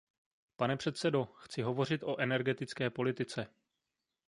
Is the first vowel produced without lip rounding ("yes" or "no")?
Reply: yes